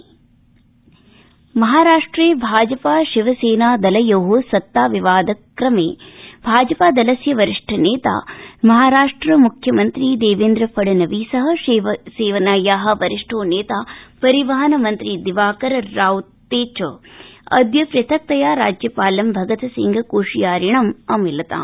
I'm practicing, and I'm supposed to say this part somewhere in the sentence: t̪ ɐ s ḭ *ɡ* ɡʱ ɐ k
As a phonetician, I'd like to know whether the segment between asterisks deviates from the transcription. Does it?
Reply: yes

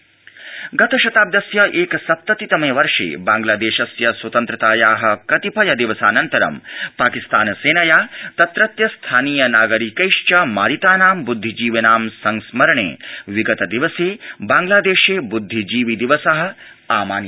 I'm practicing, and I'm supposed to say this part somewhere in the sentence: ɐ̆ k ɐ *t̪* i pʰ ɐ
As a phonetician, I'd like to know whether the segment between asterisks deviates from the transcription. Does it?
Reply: no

